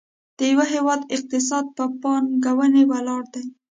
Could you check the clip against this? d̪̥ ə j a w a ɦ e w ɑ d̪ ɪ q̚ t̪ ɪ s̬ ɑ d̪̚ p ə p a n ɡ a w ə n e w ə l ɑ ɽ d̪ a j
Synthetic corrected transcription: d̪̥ ə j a w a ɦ e w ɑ d̪ ɪ q̚ t̪ ɪ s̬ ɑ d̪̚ p ə p ɑ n ɡ a w ə n e w a l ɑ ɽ d̪ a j

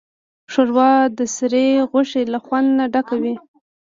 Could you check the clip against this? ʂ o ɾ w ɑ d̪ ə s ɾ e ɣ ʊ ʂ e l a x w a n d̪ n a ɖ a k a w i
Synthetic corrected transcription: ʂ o ɾ w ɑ d̪ ə s ɾ e ɣ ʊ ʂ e l a x w a n d̪ n a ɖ a k a w i

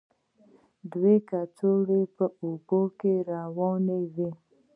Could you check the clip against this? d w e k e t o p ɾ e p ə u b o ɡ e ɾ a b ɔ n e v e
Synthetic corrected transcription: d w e k a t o ɾ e p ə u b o k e ɾ a w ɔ n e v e

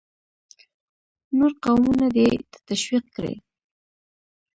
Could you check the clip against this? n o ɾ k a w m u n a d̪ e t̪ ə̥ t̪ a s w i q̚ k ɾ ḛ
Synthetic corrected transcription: n o ɾ q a w m u n a d̪ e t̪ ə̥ t̪ a ʃ w i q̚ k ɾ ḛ

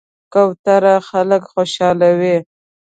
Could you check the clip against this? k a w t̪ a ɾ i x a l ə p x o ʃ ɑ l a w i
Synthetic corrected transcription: k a w t̪ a ɾ a x a l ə k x o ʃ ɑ l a w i

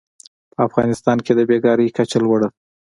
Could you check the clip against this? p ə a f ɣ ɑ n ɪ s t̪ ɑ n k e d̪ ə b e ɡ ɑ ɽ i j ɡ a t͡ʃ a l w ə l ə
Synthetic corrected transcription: p ə a f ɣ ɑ n ɪ s t̪ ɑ n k e d̪ ə b e ɡ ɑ ɾ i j k a t͡ʃ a l w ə ɽ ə

